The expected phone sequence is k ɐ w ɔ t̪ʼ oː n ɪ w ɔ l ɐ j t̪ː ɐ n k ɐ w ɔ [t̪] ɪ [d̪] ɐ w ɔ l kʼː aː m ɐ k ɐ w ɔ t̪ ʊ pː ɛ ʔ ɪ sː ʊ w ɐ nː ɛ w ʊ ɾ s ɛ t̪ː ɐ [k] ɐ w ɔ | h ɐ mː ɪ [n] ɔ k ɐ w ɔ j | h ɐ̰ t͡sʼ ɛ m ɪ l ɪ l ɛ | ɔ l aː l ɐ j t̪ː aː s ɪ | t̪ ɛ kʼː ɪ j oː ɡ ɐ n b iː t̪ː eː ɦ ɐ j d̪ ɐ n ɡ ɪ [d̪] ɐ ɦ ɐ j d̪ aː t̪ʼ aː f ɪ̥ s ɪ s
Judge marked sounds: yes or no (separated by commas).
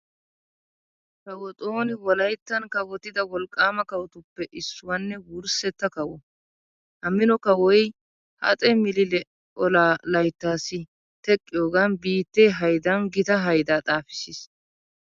yes, yes, yes, yes, no